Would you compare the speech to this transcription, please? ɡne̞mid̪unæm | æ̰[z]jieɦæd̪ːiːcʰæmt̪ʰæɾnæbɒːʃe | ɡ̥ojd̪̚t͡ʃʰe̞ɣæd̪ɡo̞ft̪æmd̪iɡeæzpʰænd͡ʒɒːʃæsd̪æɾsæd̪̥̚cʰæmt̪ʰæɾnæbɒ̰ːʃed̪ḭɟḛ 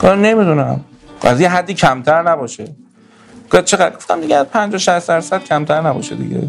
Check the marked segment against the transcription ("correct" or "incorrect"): correct